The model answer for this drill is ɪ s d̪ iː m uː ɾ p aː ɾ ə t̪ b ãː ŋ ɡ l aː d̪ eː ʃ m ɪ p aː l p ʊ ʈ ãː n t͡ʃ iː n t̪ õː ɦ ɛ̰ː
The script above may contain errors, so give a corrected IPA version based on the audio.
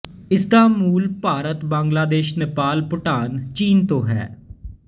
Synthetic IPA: ɪ s d̪ aː m uː l p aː ɾ ə t̪ b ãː ŋ ɡ l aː d̪ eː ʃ n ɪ p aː l p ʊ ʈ aː n t͡ʃ iː n t̪ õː ɦ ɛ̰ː